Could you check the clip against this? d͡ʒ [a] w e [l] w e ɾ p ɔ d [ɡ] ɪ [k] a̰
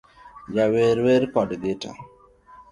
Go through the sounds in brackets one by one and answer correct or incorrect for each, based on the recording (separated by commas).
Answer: correct, incorrect, correct, incorrect